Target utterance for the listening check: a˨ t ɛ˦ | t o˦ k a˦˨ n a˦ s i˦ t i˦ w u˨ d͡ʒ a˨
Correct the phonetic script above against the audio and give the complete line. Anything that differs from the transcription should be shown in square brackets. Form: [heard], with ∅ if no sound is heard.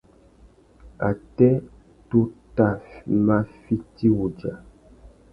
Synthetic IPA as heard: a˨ t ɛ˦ | t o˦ [t] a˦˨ [m] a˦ [f] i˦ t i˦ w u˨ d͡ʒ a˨